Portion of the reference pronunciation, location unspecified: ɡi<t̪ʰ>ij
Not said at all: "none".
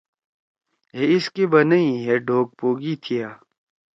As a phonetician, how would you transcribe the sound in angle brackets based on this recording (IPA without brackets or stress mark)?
t̪ʰ